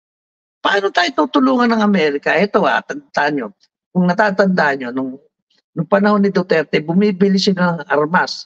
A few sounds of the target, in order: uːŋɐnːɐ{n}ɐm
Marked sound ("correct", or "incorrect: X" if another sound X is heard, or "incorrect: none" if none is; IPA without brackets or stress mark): incorrect: ŋ